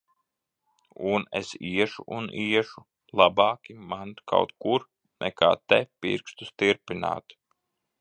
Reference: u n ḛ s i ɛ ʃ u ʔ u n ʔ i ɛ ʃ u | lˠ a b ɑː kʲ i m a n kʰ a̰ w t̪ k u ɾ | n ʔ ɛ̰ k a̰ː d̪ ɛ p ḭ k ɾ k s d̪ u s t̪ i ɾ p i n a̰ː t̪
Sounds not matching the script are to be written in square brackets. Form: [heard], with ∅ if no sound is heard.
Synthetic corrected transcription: u n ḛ s i ɛ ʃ u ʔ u n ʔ i ɛ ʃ u | lˠ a b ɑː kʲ i m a n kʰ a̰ w t̪ k u ɾ | n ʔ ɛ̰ k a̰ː [t̪] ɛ p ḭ [∅] ɾ k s [t̪] u s t̪ i ɾ p i n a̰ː t̪